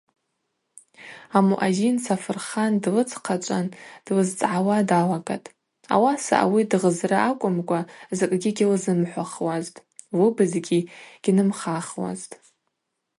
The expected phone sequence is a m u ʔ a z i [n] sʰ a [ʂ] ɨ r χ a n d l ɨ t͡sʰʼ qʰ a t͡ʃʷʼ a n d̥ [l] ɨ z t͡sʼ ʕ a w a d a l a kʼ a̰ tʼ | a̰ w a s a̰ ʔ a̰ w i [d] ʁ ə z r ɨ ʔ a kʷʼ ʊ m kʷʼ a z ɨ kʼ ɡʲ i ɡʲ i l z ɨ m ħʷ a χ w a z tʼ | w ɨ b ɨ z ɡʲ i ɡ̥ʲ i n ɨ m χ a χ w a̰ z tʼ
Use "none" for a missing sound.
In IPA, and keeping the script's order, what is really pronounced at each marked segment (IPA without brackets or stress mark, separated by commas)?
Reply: n, f, l, d